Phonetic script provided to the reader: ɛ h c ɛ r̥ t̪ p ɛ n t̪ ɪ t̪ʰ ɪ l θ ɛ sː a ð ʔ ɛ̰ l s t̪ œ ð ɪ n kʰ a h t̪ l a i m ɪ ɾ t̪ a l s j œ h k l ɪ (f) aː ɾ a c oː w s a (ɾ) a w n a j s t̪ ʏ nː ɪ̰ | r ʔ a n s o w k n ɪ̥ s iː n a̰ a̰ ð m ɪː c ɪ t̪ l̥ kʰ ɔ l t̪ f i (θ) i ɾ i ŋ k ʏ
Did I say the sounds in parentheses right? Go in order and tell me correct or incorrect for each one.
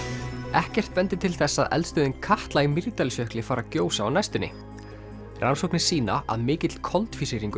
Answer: correct, incorrect: none, incorrect: s

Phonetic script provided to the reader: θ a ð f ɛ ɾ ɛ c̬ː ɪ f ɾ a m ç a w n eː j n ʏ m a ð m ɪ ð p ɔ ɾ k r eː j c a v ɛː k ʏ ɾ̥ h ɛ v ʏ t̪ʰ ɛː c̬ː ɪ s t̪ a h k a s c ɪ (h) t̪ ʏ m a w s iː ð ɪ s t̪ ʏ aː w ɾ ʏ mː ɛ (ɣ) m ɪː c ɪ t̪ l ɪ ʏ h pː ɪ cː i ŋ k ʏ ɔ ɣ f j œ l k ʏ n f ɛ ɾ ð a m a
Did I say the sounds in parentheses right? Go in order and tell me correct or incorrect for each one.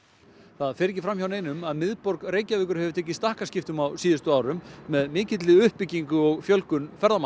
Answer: incorrect: f, incorrect: ð

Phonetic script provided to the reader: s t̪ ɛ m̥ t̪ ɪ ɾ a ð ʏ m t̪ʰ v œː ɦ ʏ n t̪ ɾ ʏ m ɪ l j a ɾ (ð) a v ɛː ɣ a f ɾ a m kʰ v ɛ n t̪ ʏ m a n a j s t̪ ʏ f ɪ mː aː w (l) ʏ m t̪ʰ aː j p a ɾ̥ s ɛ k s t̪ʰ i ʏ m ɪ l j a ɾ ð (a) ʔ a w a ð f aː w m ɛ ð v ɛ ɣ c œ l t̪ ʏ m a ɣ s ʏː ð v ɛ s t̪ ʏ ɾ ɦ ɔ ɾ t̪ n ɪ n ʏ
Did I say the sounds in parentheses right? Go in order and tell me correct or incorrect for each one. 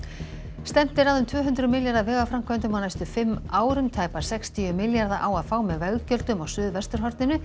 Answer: correct, incorrect: ɾ, correct

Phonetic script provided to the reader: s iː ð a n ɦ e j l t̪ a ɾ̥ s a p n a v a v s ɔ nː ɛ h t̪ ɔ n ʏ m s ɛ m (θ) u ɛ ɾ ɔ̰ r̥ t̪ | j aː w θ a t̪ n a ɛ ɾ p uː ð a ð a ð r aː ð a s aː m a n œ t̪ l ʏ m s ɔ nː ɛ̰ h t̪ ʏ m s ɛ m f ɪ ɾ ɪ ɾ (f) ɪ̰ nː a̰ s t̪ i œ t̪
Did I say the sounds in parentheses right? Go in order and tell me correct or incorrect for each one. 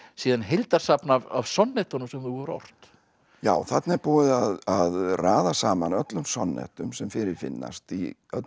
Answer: correct, correct

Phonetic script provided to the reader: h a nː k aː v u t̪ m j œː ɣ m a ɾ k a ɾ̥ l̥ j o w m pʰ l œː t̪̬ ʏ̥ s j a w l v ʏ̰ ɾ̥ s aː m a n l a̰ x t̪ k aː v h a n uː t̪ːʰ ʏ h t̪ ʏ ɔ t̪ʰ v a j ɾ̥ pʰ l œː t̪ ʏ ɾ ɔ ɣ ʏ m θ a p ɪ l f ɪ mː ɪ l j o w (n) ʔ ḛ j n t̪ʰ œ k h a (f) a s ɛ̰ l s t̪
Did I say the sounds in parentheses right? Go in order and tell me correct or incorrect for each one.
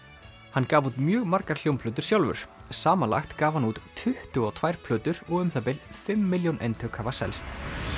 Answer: correct, incorrect: v

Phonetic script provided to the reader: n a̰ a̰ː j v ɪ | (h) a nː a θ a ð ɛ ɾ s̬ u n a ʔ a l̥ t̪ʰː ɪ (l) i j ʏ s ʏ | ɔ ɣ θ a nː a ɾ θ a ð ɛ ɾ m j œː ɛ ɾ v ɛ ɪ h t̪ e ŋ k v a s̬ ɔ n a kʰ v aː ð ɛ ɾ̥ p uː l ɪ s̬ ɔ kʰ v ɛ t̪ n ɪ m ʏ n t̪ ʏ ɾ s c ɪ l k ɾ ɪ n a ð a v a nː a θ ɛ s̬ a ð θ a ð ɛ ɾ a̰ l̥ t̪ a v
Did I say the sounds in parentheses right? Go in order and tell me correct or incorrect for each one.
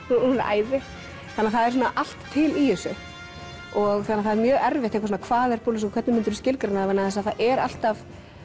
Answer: incorrect: θ, correct

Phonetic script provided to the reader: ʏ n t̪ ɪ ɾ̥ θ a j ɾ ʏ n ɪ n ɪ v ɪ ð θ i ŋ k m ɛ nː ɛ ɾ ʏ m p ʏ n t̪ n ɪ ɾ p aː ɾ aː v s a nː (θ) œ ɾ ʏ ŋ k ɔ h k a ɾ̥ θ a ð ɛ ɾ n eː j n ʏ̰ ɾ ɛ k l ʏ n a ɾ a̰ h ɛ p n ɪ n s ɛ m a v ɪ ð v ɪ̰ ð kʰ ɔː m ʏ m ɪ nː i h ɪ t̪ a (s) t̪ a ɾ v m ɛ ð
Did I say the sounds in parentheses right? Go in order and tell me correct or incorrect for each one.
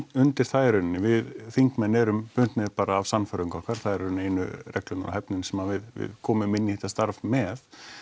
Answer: incorrect: f, correct

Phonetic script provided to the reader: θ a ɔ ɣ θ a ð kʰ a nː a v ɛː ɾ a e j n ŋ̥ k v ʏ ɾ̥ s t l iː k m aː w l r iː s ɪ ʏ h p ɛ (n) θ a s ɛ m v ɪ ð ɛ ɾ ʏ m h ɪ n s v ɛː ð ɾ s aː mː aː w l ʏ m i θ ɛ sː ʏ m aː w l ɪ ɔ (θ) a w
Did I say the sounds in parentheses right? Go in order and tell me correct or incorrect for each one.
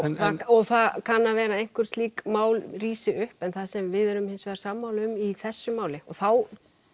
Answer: correct, correct

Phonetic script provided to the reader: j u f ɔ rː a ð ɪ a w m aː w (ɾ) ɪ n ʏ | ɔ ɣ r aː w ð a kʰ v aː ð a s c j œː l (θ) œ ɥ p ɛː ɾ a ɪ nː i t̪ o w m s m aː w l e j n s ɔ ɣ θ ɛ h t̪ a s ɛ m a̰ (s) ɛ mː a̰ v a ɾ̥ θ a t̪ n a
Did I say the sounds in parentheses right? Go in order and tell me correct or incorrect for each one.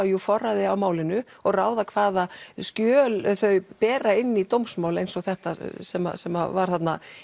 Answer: incorrect: l, correct, correct

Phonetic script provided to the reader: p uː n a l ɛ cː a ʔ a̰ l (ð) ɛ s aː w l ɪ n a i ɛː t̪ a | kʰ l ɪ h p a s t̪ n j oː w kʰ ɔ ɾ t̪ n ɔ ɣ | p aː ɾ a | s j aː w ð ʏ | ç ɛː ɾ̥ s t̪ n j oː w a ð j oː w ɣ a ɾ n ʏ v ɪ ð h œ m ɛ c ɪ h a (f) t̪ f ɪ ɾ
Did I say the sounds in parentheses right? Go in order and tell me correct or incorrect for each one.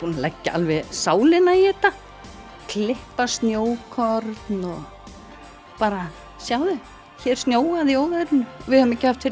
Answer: incorrect: v, correct

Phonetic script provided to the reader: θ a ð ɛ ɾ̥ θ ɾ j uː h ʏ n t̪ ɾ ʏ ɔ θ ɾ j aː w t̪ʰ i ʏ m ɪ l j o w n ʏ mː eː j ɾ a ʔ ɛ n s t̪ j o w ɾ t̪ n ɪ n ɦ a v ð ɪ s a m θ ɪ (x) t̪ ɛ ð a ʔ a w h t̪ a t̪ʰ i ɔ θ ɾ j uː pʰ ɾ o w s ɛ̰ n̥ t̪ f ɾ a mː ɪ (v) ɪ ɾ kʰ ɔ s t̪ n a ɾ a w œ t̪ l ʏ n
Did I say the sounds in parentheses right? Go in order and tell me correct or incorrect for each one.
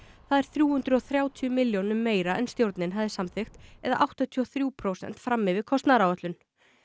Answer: correct, correct

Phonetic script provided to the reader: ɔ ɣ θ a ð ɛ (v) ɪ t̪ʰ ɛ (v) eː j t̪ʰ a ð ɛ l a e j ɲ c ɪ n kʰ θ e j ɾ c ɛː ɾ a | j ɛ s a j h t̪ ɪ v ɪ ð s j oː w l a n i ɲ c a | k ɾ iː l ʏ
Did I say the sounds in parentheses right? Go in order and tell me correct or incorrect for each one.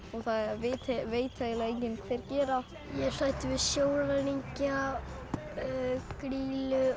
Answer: correct, correct

